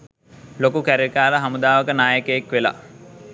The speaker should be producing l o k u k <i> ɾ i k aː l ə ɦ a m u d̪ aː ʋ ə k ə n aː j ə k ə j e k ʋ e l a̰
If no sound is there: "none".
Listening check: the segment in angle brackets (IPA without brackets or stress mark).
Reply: æ